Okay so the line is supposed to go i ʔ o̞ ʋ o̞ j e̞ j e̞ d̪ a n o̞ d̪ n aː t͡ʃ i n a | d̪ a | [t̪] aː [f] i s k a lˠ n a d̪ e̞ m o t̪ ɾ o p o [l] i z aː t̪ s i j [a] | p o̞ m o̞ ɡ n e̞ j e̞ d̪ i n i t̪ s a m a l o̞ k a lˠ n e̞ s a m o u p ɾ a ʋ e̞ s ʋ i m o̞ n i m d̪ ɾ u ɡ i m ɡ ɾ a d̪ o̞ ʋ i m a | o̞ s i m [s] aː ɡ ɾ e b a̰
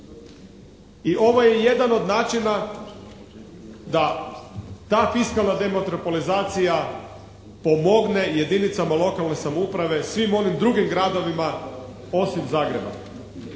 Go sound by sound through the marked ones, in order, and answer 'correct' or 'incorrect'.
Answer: correct, correct, correct, correct, incorrect: z

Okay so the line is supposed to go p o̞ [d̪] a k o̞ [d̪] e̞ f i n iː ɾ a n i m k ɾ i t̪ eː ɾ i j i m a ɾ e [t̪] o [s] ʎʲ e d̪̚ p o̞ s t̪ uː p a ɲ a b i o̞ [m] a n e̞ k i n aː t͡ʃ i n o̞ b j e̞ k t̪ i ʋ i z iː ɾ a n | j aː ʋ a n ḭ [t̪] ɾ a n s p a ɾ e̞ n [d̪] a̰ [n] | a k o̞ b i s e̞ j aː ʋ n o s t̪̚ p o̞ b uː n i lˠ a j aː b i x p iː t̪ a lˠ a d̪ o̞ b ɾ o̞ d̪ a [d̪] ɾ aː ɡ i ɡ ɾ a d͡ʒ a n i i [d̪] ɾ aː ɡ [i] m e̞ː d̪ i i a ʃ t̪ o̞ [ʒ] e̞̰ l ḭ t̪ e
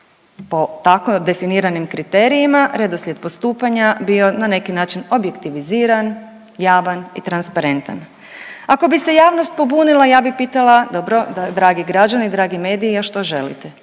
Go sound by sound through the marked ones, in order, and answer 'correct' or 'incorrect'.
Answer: incorrect: t̪, correct, incorrect: d̪, correct, incorrect: n, correct, incorrect: t̪, correct, correct, correct, correct, correct

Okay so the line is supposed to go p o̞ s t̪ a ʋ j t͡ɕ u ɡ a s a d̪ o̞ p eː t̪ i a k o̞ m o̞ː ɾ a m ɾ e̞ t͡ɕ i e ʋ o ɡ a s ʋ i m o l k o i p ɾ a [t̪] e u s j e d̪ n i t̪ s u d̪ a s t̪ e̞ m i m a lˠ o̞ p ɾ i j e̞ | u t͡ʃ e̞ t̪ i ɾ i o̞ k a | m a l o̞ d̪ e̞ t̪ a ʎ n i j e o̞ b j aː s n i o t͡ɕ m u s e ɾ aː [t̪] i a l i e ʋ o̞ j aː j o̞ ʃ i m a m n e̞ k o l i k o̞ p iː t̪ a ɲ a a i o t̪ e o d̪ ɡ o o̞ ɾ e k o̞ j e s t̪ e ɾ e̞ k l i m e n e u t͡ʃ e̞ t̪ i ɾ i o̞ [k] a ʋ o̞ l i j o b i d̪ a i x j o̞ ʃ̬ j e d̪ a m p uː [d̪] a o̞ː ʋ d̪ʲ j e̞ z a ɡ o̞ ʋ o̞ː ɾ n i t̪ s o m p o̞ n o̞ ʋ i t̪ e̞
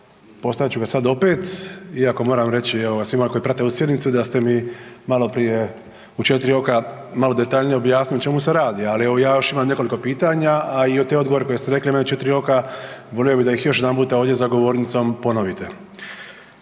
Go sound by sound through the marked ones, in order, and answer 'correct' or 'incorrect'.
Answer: correct, incorrect: d̪, correct, incorrect: t̪

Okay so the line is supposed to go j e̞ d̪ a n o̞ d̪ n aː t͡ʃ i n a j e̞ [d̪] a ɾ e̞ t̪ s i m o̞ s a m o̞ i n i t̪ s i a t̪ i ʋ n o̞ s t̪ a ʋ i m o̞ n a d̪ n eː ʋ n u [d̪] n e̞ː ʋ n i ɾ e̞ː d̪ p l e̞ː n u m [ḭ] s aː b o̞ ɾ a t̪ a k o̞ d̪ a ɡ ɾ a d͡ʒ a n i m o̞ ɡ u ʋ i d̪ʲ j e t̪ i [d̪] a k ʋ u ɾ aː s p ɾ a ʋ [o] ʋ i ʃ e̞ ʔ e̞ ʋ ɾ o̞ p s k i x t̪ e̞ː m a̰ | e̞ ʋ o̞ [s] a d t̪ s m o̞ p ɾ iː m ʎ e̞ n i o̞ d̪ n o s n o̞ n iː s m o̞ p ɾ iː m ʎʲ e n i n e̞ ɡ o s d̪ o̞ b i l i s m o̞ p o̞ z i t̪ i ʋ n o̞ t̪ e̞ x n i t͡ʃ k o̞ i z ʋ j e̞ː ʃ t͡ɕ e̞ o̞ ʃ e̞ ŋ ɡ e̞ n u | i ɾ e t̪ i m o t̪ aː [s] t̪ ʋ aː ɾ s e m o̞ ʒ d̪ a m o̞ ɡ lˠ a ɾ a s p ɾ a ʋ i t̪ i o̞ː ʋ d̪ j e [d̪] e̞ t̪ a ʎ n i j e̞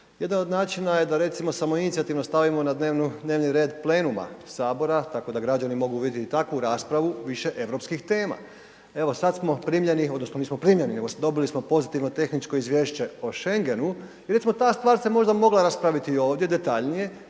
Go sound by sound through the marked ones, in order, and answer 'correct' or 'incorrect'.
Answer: correct, correct, incorrect: a̰, incorrect: t̪, incorrect: u, correct, correct, correct

